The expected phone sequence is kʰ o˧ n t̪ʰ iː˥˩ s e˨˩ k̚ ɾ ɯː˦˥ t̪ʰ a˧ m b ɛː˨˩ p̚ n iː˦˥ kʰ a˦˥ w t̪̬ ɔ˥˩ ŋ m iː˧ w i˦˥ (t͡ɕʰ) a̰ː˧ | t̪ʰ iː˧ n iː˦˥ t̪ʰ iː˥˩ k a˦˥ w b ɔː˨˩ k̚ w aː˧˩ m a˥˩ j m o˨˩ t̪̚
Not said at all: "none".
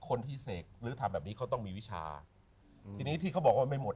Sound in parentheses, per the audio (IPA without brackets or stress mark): t͡ɕʰ